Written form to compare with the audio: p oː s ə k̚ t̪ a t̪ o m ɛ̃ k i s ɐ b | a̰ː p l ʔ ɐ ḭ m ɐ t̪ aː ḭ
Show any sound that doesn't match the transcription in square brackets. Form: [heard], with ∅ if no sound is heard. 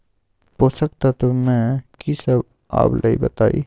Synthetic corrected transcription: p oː s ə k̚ t̪ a t̪ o m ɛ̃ k i s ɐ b | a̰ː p l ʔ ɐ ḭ [b] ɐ t̪ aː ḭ